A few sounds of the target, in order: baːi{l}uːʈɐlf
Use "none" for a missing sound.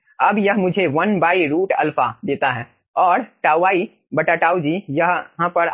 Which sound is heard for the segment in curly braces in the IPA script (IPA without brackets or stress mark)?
ɾ